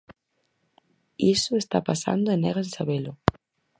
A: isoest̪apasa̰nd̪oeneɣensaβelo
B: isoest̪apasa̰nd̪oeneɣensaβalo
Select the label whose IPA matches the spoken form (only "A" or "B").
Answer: A